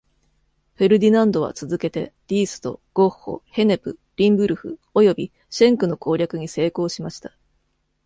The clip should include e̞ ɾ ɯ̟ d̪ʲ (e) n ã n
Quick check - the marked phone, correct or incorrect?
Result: incorrect